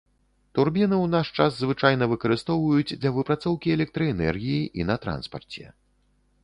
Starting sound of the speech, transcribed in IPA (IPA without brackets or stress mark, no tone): t̪